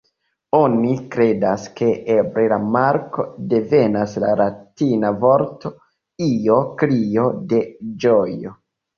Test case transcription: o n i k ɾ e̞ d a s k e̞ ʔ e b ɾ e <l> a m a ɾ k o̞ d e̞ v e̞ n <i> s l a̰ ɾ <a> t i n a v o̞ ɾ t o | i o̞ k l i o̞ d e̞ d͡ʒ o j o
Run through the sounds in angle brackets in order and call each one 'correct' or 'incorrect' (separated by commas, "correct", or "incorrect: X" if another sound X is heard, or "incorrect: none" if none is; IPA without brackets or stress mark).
correct, incorrect: a, correct